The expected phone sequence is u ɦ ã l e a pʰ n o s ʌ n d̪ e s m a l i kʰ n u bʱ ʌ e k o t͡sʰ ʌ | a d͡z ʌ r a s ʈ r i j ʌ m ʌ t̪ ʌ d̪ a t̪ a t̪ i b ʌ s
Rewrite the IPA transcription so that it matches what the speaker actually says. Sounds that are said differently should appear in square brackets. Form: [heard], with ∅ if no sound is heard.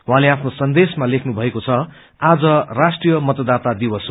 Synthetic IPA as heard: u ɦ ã l e a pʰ n o s ʌ n d̪ e s m a l [e] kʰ n u bʱ ʌ e k o t͡sʰ ʌ | a d͡z ʌ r a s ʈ r i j ʌ m ʌ t̪ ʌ d̪ a t̪ a [d̪] i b ʌ s